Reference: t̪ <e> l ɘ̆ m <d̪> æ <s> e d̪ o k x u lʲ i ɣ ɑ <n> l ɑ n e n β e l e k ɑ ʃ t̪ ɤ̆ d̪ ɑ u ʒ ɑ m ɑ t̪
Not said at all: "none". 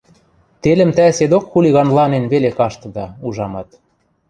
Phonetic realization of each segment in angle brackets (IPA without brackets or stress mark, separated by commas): e, t̪, s, n